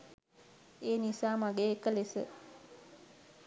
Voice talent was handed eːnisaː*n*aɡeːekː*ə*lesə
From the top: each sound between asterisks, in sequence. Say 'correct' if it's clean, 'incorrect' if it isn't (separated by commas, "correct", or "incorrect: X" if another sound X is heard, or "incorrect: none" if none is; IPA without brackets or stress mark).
incorrect: m, correct